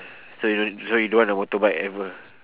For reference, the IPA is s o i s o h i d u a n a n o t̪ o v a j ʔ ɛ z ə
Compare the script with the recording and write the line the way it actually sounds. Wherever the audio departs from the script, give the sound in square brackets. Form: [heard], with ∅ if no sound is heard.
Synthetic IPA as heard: s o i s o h i d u a n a [m] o t̪ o [b] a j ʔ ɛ [v] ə

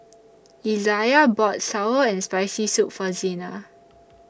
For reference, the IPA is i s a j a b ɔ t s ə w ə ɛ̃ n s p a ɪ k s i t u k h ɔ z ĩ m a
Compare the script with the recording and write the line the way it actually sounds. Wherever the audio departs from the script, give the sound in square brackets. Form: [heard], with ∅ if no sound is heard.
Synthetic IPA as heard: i [z] a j a b ɔ t s [a] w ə ɛ̃ n s p a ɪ [∅] s i [s] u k [f] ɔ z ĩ [n] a

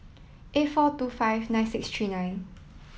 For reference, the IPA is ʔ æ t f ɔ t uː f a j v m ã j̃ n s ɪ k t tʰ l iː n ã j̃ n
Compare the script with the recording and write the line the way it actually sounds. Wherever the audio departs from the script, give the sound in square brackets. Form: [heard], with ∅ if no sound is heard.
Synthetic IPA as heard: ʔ [e] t f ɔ t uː f a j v [n] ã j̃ n s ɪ k [s] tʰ [ɹ] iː n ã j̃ n

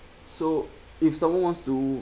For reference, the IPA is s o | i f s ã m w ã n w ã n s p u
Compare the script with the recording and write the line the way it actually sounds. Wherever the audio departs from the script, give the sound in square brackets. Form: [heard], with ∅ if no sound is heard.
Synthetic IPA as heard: s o | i f s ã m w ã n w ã n s [t] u

